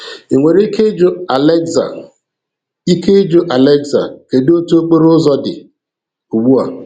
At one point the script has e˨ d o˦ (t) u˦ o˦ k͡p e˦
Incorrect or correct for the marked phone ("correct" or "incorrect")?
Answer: correct